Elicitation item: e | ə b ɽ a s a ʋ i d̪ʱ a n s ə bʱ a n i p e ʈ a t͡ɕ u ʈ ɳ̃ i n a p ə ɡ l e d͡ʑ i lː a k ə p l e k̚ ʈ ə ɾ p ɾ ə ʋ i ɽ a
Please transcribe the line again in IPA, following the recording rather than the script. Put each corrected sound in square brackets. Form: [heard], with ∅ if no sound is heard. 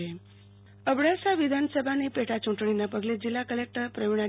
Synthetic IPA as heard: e | ə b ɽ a s a ʋ i d̪ʱ a n s ə bʱ a n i p e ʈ a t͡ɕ u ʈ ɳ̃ i n a p ə ɡ l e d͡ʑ i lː a k ə [∅] l e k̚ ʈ ə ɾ p ɾ ə ʋ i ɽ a